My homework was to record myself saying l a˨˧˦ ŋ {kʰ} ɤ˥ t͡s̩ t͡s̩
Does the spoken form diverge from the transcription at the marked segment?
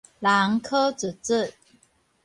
no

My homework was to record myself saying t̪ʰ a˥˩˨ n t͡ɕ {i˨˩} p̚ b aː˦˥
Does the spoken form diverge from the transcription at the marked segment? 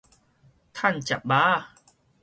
yes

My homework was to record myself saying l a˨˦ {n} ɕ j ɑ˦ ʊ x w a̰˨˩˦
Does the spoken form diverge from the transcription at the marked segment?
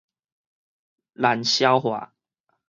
no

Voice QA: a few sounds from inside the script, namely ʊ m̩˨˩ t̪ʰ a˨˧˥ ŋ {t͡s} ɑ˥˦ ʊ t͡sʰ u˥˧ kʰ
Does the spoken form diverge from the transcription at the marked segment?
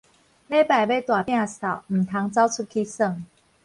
no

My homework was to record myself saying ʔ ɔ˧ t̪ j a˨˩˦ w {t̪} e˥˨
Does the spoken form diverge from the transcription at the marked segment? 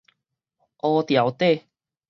no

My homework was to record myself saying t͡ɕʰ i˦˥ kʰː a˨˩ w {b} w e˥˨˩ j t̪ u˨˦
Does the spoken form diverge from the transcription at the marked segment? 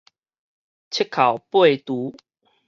yes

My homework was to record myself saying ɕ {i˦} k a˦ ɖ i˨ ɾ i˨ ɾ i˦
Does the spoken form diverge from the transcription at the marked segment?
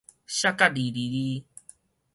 yes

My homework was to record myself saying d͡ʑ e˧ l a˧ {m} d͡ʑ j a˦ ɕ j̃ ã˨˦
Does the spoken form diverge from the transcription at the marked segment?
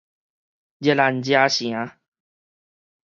yes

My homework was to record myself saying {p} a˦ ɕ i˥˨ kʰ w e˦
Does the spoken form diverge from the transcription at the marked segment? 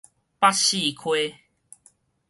no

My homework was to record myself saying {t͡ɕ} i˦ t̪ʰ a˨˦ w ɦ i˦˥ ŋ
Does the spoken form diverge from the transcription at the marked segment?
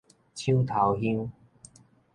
yes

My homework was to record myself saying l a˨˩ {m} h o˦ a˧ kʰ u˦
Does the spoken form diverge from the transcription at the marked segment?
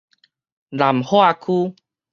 no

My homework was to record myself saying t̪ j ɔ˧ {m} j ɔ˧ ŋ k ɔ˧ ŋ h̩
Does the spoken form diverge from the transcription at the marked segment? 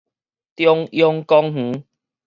yes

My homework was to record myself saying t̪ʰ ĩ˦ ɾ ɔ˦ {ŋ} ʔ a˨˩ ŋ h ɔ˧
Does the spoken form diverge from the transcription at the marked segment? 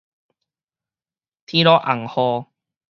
yes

